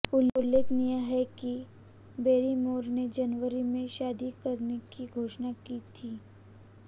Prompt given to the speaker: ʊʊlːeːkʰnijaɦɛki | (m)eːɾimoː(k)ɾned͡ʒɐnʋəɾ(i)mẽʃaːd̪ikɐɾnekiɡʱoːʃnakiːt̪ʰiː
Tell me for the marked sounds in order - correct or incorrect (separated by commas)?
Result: incorrect, incorrect, correct